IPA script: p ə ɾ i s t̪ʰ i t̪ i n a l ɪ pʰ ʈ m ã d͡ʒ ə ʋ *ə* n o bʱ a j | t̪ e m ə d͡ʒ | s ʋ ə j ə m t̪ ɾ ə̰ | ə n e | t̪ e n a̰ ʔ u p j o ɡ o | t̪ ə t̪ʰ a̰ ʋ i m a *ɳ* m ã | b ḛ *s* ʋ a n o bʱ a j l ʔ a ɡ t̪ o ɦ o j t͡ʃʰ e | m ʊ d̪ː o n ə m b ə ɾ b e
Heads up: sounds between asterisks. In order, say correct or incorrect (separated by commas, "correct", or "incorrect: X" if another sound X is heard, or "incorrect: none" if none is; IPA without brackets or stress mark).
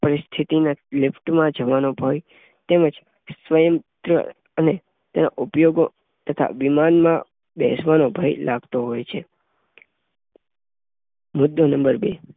incorrect: a, incorrect: n, correct